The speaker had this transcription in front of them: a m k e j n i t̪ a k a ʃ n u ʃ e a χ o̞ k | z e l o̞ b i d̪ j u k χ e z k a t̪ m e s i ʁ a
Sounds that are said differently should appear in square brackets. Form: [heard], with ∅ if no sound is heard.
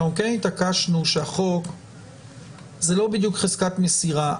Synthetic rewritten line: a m k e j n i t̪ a k a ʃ n u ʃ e a χ o̞ k | z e l o̞ b i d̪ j u k χ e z k a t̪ m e s i ʁ a